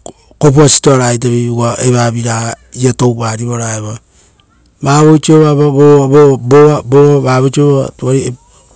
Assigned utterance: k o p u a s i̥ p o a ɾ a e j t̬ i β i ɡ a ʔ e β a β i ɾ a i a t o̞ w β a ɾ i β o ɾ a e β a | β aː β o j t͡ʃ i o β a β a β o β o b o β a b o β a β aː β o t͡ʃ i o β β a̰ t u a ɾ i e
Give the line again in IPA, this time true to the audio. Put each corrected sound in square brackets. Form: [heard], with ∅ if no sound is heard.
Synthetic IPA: k o p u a s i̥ [t] o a ɾ a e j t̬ [a] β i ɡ a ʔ e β a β i ɾ a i a t o̞ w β a ɾ i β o ɾ a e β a | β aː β o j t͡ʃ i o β a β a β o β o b o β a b o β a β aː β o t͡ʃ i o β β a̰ t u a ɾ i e